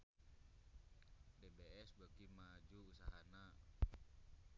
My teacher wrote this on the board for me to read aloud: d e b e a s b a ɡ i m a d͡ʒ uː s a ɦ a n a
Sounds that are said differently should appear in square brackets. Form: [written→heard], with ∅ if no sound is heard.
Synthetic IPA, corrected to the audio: d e b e [a→ɛ] s b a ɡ i m a d͡ʒ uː s a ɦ a n a